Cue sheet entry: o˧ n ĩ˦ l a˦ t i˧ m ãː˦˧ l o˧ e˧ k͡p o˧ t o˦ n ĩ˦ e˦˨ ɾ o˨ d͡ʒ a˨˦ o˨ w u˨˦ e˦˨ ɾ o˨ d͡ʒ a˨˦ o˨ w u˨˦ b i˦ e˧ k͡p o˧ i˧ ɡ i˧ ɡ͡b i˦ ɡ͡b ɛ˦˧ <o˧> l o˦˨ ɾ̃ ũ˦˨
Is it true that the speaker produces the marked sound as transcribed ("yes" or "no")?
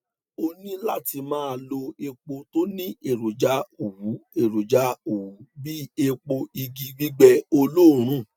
yes